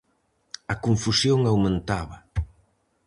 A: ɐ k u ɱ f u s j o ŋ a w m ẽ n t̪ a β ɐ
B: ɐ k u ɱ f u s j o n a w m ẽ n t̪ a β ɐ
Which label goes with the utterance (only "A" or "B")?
A